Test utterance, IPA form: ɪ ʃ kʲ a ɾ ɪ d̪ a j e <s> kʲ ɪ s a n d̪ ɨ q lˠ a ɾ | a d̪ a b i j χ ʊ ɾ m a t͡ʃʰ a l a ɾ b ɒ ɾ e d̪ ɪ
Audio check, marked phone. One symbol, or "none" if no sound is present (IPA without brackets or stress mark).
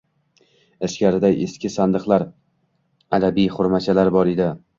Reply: s